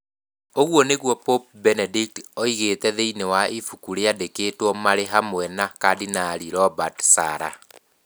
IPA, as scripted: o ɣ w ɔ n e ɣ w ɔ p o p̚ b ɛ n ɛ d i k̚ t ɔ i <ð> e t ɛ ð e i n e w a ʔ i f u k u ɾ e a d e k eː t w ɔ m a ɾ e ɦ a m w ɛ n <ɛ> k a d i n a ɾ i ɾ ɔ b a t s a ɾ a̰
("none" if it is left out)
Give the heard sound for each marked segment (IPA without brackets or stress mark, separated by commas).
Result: ɣ, a